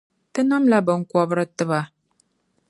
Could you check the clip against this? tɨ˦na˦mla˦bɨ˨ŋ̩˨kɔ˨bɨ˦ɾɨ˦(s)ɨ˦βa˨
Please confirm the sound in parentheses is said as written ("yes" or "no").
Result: no